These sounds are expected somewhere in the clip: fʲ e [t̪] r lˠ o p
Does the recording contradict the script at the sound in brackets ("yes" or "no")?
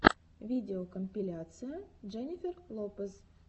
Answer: yes